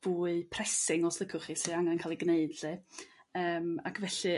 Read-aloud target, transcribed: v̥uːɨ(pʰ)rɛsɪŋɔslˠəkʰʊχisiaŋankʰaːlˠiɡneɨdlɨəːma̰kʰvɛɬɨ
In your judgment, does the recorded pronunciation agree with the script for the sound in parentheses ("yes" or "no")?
yes